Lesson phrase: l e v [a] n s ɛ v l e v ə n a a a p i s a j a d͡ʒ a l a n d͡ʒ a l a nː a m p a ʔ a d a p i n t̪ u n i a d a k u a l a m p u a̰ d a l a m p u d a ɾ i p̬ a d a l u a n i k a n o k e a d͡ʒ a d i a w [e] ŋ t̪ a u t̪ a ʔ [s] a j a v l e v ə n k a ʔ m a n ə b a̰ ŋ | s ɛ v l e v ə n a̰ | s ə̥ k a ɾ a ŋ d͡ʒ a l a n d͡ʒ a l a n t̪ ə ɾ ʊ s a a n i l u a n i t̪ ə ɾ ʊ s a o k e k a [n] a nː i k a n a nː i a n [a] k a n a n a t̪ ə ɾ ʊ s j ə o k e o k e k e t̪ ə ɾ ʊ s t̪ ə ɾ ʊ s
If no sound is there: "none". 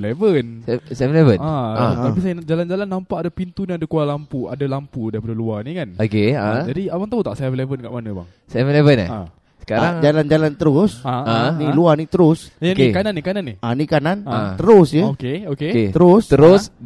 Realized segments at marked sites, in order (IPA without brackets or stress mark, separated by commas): ə, a, s, n, i